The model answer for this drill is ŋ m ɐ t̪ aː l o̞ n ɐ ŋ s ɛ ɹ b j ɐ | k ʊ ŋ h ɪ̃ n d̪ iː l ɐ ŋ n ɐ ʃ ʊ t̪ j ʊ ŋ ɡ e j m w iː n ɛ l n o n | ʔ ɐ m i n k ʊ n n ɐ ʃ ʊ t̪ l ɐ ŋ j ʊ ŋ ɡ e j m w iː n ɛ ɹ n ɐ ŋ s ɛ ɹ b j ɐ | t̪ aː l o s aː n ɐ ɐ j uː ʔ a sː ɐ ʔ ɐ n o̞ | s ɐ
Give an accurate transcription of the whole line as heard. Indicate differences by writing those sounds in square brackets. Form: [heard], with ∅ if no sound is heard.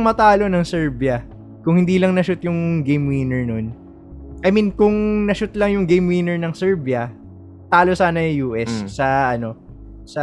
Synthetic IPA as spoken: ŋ m ɐ t̪ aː l o̞ n ɐ ŋ s ɛ ɹ b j ɐ | k ʊ ŋ h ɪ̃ n d̪ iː l ɐ ŋ n ɐ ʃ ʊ t̪ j ʊ ŋ ɡ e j m w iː n ɛ [ɹ] n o n | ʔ ɐ m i n k ʊ [ŋ] n ɐ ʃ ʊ t̪ l ɐ ŋ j ʊ ŋ ɡ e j m w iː n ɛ ɹ n ɐ ŋ s ɛ ɹ b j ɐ | t̪ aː l o s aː n ɐ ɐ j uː ʔ [ɛ] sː ɐ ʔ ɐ n o̞ | s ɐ